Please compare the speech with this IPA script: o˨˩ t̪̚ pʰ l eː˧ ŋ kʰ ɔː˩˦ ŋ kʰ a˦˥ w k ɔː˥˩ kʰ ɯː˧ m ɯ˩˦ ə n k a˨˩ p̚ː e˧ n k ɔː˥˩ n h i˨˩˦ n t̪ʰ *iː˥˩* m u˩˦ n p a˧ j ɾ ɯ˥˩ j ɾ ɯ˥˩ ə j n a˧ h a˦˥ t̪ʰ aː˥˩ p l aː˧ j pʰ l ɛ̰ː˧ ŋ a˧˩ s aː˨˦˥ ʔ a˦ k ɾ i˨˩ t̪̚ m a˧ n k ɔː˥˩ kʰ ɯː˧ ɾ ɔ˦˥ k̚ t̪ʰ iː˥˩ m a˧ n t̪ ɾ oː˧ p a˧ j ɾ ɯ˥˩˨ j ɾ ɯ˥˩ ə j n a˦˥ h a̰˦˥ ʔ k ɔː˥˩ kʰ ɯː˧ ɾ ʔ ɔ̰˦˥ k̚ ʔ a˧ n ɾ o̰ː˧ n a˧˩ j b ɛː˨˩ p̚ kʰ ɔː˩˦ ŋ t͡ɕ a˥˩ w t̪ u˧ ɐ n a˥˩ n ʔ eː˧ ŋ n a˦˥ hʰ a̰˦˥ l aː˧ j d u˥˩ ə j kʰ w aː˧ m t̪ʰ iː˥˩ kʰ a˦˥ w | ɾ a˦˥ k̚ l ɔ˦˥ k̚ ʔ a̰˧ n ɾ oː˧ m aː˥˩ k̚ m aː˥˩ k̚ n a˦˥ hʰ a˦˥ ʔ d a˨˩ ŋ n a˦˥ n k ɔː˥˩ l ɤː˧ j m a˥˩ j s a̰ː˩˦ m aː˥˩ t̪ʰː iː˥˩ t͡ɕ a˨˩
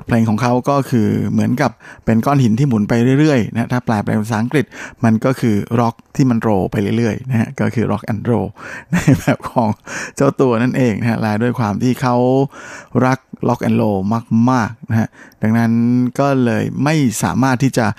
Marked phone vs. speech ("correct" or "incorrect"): correct